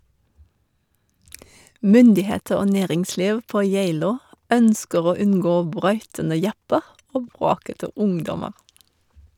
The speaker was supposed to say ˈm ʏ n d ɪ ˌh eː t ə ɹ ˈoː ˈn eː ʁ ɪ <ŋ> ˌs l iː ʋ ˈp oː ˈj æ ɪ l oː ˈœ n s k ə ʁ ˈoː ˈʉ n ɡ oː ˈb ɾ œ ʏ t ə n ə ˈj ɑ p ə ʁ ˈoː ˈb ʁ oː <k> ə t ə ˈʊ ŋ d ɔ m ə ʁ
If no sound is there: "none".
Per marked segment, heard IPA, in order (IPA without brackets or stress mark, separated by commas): ŋ, k